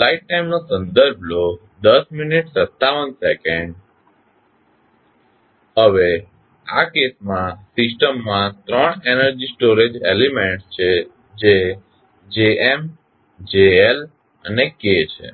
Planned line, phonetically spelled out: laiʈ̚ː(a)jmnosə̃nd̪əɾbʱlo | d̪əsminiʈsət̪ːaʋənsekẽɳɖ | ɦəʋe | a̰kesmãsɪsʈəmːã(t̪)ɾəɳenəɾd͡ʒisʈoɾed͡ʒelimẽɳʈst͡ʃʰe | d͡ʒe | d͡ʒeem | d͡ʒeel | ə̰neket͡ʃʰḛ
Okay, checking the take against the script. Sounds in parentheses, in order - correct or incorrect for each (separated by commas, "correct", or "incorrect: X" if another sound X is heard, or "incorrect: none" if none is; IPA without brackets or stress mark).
correct, correct